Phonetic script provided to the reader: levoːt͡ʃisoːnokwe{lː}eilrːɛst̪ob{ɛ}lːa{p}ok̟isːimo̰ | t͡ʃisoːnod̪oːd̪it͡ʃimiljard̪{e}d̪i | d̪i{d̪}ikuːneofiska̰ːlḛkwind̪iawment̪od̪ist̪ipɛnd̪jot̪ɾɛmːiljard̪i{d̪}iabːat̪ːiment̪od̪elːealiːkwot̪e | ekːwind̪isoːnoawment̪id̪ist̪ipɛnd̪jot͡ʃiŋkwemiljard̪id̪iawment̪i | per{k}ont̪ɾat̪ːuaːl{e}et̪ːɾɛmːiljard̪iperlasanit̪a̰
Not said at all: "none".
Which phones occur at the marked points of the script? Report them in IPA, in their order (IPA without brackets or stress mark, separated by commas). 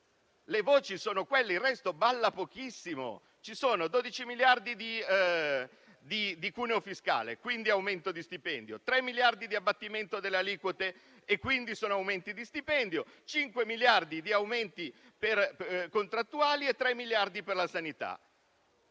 lː, a, p, i, d̪, d̪, k, i